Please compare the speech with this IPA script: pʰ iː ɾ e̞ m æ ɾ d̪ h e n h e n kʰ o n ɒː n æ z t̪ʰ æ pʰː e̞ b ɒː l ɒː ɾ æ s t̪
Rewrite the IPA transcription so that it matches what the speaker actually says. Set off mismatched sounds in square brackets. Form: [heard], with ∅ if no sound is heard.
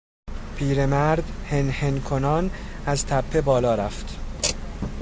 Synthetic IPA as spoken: pʰ iː ɾ e̞ m æ ɾ d̪ h e n h e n kʰ o n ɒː n æ z t̪ʰ æ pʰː e̞ b ɒː l ɒː ɾ æ [f] t̪